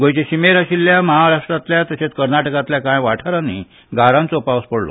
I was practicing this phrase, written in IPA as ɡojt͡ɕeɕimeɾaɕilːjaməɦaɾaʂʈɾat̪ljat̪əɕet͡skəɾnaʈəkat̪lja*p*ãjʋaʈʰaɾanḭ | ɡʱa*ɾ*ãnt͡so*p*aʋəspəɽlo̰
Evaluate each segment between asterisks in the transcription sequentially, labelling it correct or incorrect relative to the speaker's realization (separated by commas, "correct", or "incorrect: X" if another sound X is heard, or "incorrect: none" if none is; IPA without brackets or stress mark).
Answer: incorrect: k, correct, correct